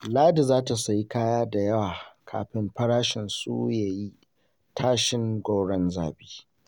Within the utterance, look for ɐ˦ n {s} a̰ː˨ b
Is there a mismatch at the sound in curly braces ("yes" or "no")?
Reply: yes